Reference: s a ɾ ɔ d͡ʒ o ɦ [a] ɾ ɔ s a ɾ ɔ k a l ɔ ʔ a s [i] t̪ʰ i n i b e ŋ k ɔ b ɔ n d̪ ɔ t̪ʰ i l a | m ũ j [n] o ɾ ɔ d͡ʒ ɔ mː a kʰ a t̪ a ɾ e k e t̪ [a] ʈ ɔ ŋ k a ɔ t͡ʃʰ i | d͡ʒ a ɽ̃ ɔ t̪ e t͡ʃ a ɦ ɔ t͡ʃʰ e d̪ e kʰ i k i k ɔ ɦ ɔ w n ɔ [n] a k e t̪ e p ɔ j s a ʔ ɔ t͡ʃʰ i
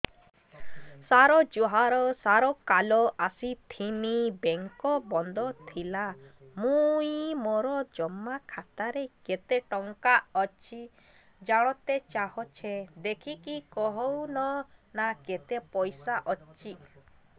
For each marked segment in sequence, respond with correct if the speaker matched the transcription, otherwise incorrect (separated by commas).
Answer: correct, correct, incorrect, incorrect, correct